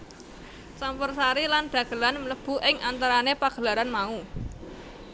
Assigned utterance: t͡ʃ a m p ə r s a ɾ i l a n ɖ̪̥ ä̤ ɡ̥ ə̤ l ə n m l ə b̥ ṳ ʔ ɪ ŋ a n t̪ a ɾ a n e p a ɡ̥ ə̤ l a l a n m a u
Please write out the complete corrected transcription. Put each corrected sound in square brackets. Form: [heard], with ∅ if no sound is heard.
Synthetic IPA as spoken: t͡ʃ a m p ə r s a ɾ i l a n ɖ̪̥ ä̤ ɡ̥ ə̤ l [a] n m l ə b̥ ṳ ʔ ɪ ŋ a n t̪ a ɾ a n e p a ɡ̥ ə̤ l a [ɾ] a n m a u